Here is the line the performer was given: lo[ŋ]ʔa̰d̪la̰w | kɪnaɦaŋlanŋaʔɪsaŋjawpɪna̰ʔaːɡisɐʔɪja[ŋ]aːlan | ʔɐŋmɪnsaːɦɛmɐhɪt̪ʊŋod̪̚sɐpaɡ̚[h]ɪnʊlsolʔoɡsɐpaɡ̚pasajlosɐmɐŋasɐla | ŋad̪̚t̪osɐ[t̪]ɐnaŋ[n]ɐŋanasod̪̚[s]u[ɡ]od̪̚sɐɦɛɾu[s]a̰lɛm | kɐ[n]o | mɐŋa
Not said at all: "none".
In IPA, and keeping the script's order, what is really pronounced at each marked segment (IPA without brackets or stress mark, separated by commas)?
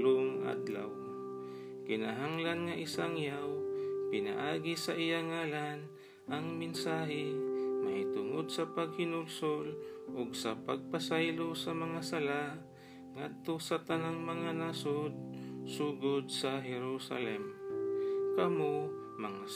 ŋ, ŋ, h, t̪, m, s, ɡ, s, m